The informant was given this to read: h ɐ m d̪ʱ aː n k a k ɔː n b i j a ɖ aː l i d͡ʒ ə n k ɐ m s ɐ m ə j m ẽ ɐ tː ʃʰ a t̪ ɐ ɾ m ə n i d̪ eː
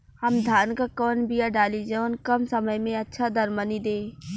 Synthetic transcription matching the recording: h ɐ m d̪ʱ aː n k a k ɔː n b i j a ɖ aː l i d͡ʒ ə n k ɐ m s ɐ m ə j m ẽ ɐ tː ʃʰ a d̪ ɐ ɾ m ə n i d̪ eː